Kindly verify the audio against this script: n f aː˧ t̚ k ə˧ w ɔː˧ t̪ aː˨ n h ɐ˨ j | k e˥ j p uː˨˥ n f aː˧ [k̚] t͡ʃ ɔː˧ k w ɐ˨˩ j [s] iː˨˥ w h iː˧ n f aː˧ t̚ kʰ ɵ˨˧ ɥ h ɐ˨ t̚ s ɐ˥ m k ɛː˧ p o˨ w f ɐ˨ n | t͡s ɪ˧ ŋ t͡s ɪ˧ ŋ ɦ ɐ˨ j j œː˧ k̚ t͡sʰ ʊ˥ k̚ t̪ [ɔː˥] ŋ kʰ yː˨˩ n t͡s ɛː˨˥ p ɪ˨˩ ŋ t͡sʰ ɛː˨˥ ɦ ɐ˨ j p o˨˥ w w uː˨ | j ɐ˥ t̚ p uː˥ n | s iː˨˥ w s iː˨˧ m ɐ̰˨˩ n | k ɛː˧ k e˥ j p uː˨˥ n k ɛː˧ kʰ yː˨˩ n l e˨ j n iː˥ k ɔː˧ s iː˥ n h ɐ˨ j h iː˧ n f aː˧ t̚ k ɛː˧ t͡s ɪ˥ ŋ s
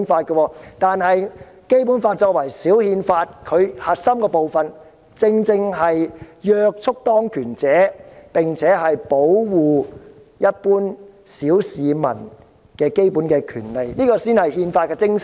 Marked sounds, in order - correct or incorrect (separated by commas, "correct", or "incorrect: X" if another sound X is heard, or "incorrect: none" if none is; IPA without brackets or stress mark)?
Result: incorrect: t̚, correct, correct